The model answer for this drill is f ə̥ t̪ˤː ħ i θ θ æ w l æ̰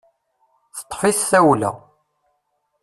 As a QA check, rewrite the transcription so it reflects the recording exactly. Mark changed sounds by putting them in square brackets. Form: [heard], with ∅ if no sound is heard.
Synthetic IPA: [θ] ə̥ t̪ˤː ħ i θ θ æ w l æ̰